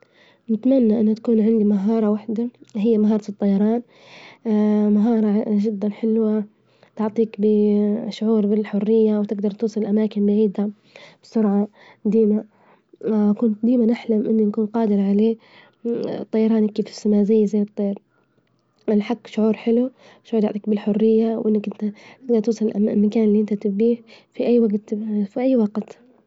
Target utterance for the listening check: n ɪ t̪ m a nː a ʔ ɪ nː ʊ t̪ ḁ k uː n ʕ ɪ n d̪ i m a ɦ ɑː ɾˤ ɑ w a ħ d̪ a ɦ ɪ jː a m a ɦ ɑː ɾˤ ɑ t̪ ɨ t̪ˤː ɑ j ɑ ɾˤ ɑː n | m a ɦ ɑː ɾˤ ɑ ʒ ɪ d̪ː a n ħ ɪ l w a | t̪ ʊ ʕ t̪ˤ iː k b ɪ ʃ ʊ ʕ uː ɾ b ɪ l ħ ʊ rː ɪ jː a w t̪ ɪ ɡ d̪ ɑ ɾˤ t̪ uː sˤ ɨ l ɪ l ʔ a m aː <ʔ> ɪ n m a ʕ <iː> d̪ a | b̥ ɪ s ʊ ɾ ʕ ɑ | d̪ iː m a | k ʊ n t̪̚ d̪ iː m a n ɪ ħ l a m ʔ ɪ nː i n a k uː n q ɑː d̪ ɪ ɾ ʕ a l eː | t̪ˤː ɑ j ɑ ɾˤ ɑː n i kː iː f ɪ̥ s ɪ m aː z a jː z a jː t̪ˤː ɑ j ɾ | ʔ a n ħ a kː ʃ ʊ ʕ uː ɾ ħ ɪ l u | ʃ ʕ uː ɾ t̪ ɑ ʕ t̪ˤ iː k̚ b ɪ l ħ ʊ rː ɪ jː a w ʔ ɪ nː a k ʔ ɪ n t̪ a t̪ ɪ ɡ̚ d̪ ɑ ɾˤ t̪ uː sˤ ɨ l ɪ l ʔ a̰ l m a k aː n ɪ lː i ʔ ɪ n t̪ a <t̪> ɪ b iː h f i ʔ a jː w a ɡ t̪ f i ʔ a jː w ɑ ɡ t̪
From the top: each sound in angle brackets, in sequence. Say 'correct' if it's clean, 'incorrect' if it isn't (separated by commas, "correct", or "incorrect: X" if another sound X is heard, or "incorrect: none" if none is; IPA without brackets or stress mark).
incorrect: k, correct, correct